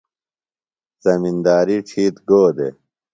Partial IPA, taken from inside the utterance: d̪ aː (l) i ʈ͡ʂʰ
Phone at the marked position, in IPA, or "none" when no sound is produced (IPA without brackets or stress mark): ɾ